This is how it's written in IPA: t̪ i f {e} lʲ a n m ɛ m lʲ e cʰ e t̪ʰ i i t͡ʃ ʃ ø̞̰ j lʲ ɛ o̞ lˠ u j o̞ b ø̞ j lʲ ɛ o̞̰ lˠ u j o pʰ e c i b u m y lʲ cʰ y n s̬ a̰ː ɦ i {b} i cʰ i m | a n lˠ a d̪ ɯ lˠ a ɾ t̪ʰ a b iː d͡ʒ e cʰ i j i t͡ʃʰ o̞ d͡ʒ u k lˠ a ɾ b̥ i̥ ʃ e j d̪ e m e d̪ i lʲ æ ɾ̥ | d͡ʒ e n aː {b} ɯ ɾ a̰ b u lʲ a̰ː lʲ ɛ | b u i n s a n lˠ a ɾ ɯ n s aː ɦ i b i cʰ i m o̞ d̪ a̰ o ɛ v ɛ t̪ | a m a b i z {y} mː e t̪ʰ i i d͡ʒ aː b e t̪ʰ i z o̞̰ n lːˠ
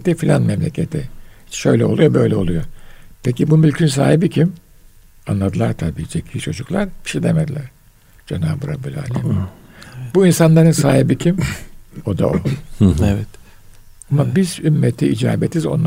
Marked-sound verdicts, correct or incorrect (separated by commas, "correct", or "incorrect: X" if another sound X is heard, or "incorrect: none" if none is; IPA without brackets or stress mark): incorrect: i, correct, correct, correct